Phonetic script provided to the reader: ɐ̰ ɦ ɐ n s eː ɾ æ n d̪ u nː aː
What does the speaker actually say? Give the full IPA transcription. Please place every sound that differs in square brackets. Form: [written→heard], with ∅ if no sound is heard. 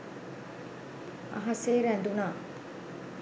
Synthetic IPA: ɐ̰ ɦ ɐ [n→∅] s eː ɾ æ n d̪ u [nː→n] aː